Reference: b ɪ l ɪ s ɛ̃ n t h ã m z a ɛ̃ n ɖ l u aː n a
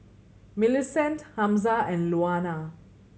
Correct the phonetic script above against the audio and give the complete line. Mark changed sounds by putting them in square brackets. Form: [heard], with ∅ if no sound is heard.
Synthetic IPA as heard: [m] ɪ l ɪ s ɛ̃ n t h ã m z a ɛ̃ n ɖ l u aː n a